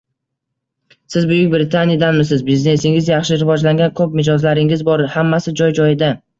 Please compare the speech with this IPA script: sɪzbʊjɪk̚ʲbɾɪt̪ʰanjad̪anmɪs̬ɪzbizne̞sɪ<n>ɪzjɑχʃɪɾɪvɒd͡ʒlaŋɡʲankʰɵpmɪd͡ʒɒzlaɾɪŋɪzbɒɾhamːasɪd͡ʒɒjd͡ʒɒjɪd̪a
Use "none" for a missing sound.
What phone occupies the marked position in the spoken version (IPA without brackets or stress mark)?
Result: ŋ